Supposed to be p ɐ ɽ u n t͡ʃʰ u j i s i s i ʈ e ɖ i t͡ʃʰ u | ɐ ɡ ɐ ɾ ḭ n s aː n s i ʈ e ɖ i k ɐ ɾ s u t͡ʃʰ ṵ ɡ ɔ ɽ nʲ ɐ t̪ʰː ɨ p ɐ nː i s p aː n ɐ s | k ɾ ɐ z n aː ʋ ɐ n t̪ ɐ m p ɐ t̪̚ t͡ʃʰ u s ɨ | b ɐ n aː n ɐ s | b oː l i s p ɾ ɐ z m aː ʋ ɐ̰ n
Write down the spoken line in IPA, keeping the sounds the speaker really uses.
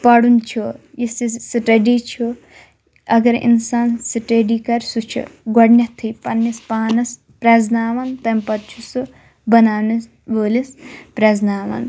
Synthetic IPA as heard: p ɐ ɽ u n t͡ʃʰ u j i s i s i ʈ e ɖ i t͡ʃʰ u | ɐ ɡ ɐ ɾ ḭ n s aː n s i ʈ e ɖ i k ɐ ɾ s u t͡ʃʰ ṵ ɡ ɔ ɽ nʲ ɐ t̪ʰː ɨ p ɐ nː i s p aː n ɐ s | p ɾ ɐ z n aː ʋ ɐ n t̪ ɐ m p ɐ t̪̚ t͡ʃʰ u s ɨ | b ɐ n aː n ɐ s | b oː l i s p ɾ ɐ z n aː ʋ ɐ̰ n